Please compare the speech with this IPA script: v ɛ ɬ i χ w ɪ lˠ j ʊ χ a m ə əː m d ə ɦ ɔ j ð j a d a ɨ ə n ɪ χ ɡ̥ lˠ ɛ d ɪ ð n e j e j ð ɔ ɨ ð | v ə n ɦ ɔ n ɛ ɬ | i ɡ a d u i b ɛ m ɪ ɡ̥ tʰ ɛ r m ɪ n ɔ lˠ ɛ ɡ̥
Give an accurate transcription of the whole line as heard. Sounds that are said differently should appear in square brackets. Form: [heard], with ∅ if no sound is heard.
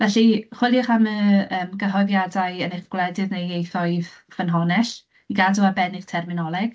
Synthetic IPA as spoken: v ɛ ɬ i χ w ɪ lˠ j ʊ χ a m ə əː m [ɡ] ə ɦ ɔ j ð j a d a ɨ ə n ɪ χ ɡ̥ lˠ ɛ d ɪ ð n e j e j [θ] ɔ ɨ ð | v ə n ɦ ɔ n ɛ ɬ | i ɡ a d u [a] b ɛ [n] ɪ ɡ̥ tʰ ɛ r m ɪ n ɔ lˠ ɛ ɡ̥